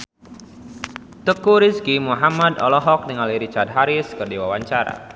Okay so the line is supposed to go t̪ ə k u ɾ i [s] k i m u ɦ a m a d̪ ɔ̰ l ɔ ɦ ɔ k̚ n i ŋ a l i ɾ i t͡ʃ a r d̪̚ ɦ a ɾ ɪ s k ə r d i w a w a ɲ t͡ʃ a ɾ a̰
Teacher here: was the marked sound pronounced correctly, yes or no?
yes